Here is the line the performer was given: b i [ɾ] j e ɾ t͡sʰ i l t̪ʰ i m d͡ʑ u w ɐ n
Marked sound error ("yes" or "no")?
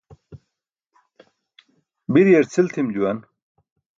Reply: no